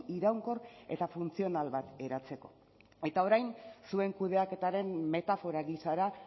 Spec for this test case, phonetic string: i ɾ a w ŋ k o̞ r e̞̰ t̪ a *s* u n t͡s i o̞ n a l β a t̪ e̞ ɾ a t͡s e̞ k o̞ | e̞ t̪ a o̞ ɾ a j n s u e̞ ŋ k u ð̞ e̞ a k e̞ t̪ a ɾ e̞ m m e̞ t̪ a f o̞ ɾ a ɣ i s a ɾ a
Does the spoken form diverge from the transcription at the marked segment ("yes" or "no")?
yes